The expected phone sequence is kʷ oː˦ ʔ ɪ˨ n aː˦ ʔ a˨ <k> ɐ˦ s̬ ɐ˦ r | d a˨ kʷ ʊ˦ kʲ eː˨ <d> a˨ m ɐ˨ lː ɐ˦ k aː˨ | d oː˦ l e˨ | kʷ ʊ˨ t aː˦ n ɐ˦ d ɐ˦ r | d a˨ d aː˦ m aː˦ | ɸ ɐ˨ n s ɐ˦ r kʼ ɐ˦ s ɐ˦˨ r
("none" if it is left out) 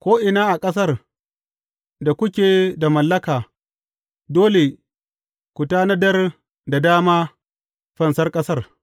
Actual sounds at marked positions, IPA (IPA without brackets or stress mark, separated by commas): kʼ, d